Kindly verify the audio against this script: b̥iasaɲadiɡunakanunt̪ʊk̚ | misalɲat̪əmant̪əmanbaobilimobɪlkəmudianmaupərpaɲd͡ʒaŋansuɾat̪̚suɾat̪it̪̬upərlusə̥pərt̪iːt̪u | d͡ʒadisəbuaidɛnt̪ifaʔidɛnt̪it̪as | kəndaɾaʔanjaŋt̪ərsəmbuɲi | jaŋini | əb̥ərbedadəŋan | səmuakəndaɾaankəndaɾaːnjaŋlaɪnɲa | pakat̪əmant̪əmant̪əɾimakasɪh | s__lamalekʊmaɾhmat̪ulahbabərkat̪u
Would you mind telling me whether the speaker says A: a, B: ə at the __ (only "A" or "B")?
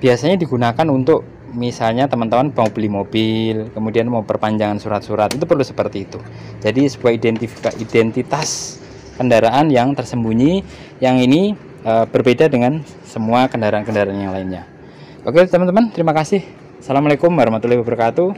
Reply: A